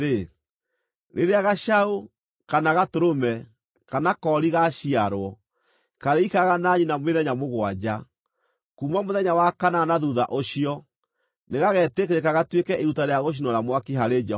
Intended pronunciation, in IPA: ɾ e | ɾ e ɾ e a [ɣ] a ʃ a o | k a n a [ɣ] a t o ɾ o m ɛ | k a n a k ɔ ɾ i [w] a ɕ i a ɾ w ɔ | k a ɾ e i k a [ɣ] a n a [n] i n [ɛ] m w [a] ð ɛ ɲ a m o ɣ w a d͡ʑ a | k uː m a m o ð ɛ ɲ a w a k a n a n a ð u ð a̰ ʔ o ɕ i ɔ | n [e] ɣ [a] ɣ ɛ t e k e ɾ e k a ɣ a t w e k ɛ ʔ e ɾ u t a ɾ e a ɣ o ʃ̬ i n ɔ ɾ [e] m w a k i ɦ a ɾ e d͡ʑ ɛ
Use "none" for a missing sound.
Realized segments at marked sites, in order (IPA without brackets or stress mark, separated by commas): ɣ, ɣ, ɣ, ɣ, ɲ, a, e, e, a, a